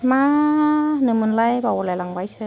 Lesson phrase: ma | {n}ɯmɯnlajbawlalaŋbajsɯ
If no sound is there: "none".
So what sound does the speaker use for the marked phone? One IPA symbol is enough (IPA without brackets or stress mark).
n